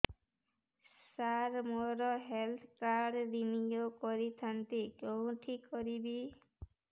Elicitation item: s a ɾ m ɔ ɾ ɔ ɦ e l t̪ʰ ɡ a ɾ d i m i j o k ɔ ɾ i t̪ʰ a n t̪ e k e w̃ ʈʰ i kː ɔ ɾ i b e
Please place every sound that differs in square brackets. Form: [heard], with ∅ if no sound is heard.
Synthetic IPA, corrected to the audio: s a ɾ m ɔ ɾ ɔ ɦ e l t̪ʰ [k] a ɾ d i [n] i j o k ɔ ɾ i t̪ʰ a n t̪ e k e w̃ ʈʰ i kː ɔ ɾ i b [i]